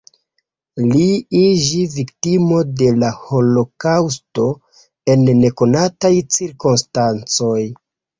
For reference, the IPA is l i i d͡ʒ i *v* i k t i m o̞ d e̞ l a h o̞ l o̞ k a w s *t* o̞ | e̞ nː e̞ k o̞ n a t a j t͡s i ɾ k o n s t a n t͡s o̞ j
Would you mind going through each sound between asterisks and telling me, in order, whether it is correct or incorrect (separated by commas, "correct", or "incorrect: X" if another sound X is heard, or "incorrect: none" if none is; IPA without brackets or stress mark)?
correct, correct